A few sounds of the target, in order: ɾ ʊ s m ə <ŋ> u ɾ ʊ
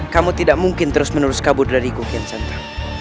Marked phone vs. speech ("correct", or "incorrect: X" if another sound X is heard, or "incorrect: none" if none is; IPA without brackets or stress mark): incorrect: n